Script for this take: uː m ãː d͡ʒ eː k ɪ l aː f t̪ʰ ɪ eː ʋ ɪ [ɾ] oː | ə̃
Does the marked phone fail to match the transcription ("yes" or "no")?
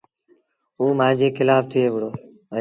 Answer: yes